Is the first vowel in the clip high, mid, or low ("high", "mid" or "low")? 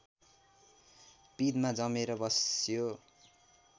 high